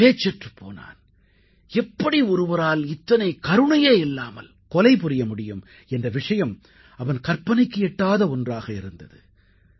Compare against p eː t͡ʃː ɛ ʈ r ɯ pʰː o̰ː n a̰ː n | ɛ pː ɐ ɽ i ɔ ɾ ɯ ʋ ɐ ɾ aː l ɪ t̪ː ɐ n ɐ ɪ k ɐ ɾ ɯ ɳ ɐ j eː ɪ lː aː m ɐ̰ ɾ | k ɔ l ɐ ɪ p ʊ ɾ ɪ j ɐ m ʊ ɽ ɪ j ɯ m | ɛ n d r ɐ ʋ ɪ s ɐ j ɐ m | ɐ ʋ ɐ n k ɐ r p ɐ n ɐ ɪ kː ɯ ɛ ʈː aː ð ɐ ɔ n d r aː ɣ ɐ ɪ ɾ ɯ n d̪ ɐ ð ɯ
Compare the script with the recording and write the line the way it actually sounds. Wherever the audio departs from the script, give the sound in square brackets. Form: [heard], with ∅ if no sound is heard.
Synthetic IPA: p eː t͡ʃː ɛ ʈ r ɯ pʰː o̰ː n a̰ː n | ɛ pː ɐ ɽ i ɔ ɾ ɯ ʋ ɐ ɾ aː l ɪ t̪ː ɐ n ɐ ɪ k ɐ ɾ ɯ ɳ ɐ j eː ɪ lː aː m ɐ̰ [l] | k ɔ l ɐ ɪ p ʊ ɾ ɪ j ɐ m ʊ ɽ ɪ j ɯ m | ɛ n d r ɐ ʋ ɪ [ʂ] ɐ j ɐ m | ɐ ʋ ɐ n k ɐ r p ɐ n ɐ ɪ kː ɯ ɛ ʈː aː ð ɐ ɔ n d r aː ɣ ɐ ɪ ɾ ɯ n d̪ ɐ ð ɯ